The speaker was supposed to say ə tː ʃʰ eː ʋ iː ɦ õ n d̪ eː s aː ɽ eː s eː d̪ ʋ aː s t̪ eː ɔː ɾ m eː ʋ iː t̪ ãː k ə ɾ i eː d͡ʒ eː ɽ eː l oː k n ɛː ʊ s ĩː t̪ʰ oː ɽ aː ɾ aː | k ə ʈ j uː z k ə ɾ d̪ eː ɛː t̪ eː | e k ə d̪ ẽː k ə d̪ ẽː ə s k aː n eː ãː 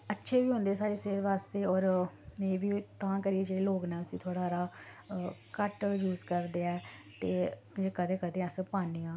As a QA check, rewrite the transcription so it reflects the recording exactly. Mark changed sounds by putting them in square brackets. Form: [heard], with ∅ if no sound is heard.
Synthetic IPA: ə tː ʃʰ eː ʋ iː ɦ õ n d̪ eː s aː ɽ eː s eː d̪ ʋ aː s t̪ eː ɔː ɾ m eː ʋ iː t̪ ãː k ə ɾ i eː d͡ʒ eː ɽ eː l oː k n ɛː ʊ s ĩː t̪ʰ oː ɽ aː ɾ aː | k ə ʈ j uː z k ə ɾ d̪ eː ɛː t̪ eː | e k ə d̪ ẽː k ə d̪ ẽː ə s [p] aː n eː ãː